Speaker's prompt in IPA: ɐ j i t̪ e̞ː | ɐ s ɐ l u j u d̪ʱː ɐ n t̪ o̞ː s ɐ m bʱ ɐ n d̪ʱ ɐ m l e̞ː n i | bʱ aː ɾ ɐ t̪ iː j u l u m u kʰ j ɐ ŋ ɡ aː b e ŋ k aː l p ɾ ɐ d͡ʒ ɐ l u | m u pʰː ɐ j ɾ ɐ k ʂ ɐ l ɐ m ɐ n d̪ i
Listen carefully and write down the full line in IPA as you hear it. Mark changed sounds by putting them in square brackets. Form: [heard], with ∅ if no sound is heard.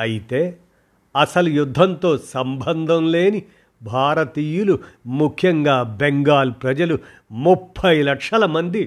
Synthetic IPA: ɐ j i t̪ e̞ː | ɐ s ɐ l u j u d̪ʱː ɐ n t̪ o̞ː s ɐ m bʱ ɐ n d̪ʱ ɐ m l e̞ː n i | bʱ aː ɾ ɐ t̪ iː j u l u m u kʰ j ɐ ŋ ɡ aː b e ŋ [ɡ] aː l p ɾ ɐ d͡ʒ ɐ l u | m u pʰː ɐ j [l] ɐ k ʂ ɐ l ɐ m ɐ n d̪ i